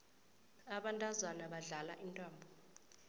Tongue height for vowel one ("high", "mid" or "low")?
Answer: low